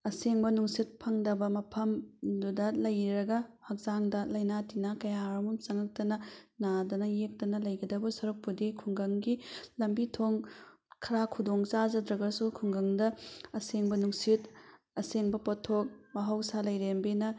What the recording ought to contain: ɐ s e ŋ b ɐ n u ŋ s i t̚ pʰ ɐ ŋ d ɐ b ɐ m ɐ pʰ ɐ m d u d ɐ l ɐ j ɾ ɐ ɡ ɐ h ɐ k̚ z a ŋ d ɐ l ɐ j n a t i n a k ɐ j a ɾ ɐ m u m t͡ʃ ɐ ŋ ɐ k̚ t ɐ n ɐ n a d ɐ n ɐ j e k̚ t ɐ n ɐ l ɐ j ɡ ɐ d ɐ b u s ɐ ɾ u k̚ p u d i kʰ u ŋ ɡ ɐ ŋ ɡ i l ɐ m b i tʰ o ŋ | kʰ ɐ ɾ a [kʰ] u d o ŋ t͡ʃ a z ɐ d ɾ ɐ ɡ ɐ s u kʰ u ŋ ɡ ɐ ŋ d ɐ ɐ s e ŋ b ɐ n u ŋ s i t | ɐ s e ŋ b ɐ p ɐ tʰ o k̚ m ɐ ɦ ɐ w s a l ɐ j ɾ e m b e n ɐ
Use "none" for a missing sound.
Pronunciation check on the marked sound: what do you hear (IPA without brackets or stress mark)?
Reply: kʰ